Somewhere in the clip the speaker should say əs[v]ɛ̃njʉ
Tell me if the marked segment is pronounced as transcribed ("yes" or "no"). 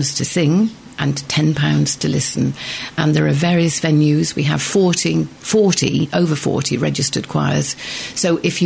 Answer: yes